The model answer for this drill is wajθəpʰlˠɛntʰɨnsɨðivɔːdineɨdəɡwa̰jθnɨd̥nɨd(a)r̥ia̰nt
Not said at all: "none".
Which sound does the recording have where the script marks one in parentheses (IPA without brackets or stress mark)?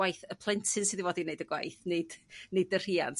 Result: ə